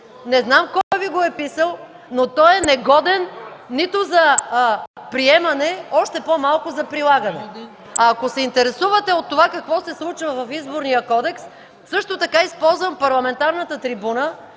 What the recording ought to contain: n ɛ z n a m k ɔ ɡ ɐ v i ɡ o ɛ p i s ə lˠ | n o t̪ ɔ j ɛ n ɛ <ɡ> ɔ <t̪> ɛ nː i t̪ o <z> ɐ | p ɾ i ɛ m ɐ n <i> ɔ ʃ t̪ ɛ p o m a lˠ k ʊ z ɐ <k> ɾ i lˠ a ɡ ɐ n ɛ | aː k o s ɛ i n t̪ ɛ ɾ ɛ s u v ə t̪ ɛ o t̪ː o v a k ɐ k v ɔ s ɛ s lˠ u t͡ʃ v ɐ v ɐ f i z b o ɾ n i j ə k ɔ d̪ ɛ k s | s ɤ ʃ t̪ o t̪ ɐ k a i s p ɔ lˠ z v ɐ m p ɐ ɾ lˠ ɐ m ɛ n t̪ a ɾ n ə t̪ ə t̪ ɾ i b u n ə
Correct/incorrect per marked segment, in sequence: correct, incorrect: d̪, correct, incorrect: ɛ, incorrect: p

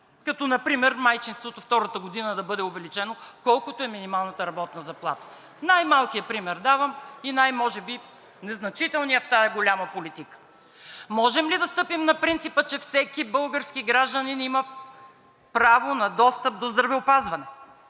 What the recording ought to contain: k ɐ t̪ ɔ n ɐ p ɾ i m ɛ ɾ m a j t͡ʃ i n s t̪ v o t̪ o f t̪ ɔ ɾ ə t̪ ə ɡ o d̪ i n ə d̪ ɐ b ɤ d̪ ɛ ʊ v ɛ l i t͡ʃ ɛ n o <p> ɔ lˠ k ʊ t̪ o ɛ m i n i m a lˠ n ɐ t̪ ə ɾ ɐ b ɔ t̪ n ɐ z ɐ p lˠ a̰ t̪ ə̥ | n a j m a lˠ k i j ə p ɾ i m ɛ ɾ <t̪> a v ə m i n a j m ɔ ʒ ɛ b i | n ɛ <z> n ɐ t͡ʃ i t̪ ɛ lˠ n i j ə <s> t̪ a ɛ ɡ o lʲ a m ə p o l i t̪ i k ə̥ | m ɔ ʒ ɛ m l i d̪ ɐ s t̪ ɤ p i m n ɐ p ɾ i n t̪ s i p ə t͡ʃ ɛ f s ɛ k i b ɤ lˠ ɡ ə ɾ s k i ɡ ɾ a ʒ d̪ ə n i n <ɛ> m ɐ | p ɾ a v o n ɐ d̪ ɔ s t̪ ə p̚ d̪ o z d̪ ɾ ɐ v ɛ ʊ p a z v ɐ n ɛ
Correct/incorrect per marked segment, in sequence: incorrect: k, incorrect: d̪, correct, incorrect: f, incorrect: i

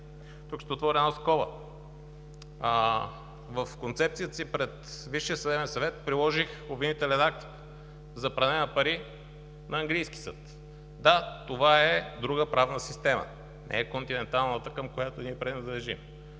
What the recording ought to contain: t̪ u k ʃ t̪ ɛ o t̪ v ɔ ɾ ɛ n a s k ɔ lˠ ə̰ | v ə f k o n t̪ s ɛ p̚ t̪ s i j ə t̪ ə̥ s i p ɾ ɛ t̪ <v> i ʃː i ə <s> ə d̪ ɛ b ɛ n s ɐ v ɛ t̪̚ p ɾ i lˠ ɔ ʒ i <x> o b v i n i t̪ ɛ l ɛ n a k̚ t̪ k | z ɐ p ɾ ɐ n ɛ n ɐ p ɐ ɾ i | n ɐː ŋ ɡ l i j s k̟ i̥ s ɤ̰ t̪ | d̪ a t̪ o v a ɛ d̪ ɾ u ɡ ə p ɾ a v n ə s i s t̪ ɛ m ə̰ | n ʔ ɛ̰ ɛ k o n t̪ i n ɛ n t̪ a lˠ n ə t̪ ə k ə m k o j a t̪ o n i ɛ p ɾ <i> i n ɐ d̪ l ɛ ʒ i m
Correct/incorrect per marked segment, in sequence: correct, correct, correct, incorrect: ɛ

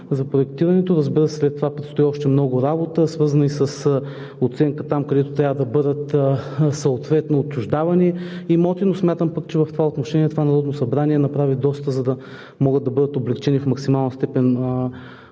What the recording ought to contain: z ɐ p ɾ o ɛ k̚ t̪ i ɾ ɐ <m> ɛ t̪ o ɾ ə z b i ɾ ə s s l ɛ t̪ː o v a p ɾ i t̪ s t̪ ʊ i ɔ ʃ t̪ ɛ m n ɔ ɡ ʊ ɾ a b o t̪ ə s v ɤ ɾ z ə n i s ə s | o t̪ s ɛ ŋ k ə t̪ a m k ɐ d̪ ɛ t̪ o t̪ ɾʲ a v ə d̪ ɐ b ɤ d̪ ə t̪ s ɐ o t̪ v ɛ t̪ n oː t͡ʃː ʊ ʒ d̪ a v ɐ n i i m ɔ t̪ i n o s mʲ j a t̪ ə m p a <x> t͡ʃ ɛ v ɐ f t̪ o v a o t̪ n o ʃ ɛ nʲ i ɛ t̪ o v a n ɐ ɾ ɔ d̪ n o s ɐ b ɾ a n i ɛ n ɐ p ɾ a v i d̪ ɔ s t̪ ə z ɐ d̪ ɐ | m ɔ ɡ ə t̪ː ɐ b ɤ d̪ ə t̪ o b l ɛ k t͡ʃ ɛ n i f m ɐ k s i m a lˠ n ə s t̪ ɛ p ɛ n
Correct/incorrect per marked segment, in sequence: incorrect: n, incorrect: k

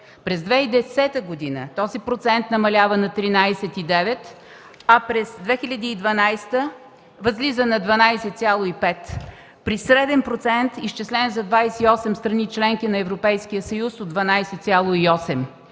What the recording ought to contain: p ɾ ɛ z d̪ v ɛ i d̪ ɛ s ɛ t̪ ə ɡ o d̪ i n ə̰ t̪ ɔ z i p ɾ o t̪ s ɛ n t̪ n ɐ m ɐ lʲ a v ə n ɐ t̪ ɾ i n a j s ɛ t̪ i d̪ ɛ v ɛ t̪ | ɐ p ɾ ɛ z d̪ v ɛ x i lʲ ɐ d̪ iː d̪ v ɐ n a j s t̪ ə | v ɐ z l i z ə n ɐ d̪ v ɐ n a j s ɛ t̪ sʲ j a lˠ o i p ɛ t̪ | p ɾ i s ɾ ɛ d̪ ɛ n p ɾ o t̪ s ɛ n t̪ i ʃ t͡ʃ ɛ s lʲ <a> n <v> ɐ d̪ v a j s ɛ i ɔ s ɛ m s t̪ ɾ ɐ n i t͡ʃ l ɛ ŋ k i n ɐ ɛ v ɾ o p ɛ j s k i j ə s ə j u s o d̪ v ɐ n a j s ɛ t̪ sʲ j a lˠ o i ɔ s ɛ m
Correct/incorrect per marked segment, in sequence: incorrect: ɛ, incorrect: z

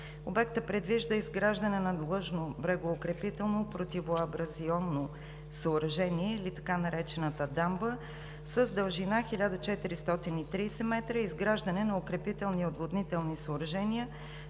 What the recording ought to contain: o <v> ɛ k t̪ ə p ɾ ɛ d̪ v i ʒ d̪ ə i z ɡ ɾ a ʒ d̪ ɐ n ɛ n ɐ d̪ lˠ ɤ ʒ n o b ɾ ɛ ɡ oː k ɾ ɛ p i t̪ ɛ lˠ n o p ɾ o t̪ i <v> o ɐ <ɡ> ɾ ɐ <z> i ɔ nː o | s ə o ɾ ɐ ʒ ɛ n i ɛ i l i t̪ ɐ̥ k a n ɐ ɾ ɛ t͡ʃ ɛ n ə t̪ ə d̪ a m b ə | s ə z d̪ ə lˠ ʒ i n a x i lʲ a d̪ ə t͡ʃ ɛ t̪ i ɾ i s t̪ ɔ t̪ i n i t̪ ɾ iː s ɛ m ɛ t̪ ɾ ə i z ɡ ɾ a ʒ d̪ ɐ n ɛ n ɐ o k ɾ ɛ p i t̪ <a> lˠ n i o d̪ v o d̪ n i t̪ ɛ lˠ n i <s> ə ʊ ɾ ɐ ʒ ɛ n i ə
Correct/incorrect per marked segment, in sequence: incorrect: b, correct, incorrect: b, correct, incorrect: ɛ, correct

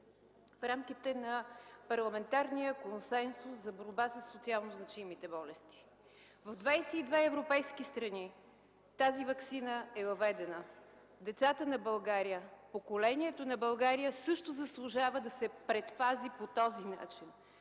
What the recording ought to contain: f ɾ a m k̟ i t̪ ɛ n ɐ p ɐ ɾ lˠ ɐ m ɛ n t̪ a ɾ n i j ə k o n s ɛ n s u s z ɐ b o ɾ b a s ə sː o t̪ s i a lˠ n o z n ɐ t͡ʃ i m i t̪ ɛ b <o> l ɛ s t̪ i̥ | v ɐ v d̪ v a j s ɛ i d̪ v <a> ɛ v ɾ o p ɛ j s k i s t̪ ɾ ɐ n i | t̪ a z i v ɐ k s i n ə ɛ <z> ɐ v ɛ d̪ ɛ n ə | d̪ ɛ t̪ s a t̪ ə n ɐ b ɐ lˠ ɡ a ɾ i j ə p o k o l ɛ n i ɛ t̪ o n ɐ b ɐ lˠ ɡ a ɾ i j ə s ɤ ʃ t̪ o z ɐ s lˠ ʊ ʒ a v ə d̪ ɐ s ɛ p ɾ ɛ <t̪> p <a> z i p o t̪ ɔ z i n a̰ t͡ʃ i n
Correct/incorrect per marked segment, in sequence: incorrect: ɔ, incorrect: ɛ, incorrect: v, correct, correct

